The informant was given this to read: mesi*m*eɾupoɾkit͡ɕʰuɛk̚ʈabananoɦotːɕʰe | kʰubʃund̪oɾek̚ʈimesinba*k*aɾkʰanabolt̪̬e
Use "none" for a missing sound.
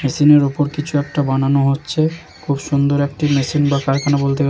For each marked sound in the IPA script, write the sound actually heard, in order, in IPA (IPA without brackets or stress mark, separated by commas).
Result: n, k